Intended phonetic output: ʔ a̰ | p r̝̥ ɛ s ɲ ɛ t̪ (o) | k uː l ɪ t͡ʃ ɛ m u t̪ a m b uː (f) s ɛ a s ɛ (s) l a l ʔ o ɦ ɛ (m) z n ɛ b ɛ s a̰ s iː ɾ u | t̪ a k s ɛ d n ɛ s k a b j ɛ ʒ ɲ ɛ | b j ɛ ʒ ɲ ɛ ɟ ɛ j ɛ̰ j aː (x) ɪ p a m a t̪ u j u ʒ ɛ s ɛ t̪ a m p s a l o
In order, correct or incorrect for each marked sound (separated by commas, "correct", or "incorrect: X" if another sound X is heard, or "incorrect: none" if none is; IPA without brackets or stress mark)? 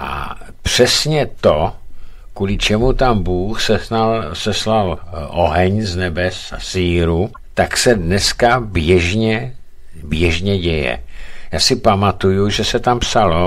correct, incorrect: x, correct, incorrect: ɲ, incorrect: s